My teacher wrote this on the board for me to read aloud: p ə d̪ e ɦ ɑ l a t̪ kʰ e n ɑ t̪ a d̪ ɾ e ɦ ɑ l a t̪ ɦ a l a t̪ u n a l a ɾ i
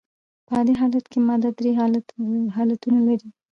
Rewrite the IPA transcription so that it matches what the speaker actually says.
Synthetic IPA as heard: p ə d̪ e ɦ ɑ l a t̪ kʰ e m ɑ d̪ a d̪ ɾ e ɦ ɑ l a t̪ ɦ ɑ l a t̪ u n a l a ɾ i